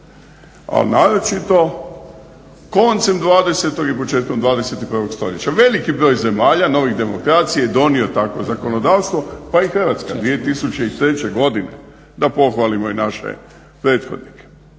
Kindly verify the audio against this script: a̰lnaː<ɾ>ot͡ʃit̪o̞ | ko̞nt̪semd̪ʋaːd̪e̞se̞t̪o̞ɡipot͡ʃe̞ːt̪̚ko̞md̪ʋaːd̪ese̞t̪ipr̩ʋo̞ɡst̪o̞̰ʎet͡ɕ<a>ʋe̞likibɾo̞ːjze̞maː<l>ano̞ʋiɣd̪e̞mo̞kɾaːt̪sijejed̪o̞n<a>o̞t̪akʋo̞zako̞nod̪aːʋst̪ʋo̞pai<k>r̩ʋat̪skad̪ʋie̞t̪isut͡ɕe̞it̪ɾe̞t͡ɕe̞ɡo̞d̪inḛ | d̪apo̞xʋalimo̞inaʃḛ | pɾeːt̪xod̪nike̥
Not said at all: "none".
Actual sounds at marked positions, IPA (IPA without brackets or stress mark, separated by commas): ɾ, a, ʎ, i, x